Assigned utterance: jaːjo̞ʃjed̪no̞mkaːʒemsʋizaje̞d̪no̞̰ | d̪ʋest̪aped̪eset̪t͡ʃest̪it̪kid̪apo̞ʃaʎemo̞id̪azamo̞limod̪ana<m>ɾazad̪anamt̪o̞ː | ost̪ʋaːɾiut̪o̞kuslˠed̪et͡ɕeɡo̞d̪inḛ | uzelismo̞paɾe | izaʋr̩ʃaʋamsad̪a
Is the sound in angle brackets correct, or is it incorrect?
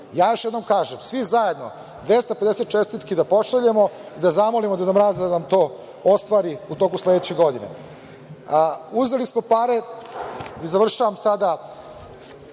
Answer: correct